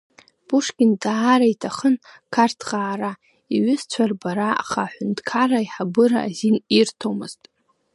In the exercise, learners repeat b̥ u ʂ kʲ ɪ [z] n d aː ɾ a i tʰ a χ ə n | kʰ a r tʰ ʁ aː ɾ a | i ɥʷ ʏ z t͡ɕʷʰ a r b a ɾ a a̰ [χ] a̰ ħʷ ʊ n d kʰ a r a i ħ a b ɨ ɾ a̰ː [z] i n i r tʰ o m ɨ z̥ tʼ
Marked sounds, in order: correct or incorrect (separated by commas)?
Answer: incorrect, correct, correct